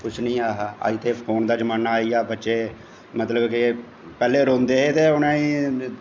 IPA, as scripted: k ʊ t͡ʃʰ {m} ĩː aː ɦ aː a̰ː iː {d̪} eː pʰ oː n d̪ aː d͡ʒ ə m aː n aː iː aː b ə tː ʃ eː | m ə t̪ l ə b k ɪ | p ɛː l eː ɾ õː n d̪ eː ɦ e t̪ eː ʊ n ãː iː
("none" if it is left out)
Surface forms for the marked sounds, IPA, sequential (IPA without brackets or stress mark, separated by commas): n, t̪